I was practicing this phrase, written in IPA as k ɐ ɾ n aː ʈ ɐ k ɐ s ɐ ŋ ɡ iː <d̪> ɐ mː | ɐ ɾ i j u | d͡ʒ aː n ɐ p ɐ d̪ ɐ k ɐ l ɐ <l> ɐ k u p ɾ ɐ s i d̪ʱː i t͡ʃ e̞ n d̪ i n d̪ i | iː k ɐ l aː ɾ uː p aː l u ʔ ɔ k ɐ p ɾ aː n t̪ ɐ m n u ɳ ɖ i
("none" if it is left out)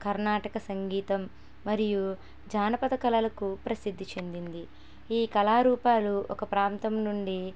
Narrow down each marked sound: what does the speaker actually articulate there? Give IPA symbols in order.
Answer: t̪, l

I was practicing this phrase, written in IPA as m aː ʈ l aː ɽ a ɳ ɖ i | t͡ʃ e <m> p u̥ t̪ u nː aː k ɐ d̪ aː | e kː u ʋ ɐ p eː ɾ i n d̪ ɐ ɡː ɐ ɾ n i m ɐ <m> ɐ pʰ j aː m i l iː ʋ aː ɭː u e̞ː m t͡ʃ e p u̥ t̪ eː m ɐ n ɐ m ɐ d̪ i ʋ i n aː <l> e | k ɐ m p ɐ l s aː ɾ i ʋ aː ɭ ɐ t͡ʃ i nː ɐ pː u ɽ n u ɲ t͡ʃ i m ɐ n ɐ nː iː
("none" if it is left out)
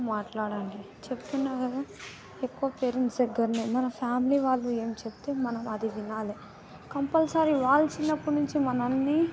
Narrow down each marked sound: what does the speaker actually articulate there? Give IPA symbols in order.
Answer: none, n, l

